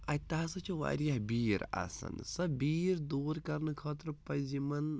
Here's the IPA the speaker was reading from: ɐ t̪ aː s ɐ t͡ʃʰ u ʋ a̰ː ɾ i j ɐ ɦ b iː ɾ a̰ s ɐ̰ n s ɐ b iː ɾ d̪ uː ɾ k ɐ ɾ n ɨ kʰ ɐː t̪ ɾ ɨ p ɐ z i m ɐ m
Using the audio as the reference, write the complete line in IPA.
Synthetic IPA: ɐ t̪ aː s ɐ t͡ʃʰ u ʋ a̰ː ɾ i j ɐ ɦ b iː ɾ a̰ s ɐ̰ n s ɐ b iː ɾ d̪ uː ɾ k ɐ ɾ n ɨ kʰ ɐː t̪ ɾ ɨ p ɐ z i m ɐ n